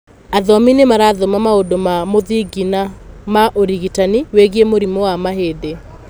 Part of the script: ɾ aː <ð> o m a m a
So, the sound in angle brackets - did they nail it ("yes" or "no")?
yes